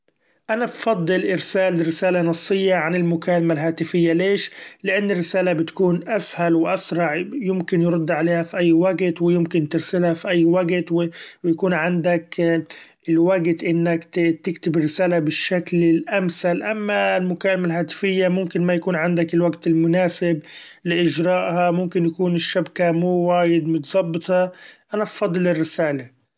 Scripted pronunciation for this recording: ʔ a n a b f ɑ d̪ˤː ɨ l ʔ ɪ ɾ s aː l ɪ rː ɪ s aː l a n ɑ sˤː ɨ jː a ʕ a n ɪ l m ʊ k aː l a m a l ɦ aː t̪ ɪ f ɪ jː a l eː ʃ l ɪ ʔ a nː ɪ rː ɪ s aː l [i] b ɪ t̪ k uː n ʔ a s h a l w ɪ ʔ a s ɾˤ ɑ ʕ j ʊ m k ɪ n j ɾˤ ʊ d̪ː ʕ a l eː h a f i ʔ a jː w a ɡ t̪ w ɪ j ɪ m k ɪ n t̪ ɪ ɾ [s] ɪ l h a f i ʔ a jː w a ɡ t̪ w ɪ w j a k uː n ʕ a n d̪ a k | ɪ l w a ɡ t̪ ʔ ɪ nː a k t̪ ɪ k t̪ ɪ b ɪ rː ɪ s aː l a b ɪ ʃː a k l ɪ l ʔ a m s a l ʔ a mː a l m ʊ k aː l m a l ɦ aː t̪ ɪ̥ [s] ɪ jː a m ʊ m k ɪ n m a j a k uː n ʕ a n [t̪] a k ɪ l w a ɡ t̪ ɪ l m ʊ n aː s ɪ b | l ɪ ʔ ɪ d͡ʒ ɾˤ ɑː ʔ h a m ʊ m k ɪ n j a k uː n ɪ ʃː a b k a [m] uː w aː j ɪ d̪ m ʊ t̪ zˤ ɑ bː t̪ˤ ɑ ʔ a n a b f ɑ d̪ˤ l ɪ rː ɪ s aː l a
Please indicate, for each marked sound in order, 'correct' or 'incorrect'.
incorrect: a, correct, incorrect: f, incorrect: d̪, correct

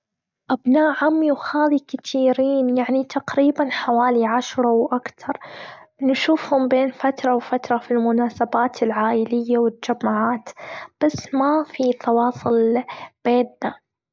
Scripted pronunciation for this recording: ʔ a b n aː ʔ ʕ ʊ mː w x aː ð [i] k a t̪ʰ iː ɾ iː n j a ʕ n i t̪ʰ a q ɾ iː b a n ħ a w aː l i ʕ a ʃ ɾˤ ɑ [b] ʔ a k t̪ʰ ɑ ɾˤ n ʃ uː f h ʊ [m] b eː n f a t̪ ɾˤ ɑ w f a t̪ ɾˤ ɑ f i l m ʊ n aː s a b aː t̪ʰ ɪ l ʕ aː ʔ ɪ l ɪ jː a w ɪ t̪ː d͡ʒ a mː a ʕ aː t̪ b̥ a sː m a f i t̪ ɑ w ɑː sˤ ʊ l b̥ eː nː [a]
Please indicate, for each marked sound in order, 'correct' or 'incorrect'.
correct, incorrect: w, correct, correct

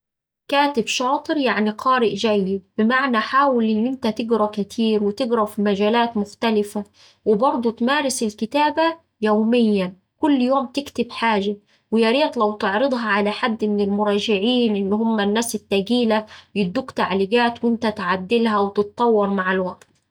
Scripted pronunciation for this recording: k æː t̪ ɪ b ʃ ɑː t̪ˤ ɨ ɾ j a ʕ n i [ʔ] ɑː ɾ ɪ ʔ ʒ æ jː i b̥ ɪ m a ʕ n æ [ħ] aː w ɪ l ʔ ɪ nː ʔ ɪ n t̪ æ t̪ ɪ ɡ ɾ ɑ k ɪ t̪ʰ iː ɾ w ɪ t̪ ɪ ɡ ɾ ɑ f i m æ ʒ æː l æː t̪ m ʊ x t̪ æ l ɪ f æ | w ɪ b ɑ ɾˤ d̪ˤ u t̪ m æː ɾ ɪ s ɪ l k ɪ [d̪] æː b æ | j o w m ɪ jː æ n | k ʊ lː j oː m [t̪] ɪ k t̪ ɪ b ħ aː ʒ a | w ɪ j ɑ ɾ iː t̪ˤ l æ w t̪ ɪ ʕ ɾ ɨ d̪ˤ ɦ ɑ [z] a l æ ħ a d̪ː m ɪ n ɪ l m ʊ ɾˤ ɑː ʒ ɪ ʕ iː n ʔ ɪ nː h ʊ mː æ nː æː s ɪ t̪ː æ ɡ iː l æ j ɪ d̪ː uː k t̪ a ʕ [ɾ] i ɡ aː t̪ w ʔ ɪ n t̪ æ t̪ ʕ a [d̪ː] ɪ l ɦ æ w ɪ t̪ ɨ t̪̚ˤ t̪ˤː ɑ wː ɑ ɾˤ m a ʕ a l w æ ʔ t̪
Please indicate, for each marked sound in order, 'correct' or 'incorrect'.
incorrect: q, correct, incorrect: t̪, correct, incorrect: ʕ, incorrect: l, correct

